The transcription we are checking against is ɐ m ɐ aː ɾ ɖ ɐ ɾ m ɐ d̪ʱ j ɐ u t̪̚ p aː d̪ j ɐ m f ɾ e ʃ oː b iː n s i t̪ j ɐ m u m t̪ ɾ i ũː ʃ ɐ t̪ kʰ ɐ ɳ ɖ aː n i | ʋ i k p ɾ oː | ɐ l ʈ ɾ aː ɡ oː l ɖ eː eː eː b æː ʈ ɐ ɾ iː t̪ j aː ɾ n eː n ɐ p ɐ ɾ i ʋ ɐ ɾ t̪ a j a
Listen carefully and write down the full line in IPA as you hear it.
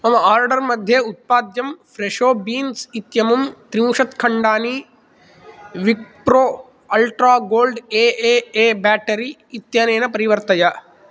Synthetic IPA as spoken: ɐ m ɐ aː ɾ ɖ ɐ ɾ m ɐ d̪ʱ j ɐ u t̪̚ p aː d̪ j ɐ m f ɾ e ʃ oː b iː n s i t̪ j ɐ m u m t̪ ɾ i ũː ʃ ɐ t̪ kʰ ɐ ɳ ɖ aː n i | ʋ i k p ɾ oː | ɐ l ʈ ɾ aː ɡ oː l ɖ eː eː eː b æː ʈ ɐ ɾ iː t̪ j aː n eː n ɐ p ɐ ɾ i ʋ ɐ ɾ t̪ ɐ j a